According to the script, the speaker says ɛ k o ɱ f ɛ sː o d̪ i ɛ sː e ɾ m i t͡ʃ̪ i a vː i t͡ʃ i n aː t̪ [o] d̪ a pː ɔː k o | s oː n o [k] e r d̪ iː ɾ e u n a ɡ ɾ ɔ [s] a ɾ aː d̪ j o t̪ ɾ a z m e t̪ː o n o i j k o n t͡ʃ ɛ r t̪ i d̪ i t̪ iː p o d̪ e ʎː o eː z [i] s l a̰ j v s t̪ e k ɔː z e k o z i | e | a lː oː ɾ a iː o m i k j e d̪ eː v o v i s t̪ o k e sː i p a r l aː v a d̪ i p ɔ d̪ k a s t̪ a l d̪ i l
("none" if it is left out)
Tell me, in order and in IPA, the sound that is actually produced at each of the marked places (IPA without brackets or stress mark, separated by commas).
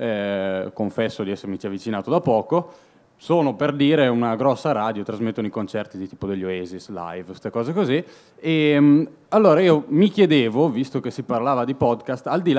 o, p, sː, i